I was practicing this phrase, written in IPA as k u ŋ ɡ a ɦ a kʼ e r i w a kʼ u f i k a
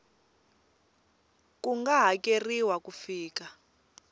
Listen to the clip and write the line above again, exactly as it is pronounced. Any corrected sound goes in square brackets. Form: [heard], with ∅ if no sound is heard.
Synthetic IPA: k u ŋ ɡ a ɦ a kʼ e r i w a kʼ u f [iː] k a